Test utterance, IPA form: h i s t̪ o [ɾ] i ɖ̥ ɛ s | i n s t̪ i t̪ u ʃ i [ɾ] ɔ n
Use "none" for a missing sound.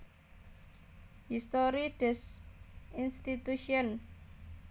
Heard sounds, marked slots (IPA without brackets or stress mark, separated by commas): ɾ, none